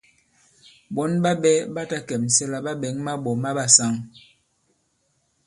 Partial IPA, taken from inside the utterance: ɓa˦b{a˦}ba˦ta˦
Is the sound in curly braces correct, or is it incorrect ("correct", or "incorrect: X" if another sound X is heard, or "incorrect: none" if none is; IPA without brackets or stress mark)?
incorrect: ɛ˦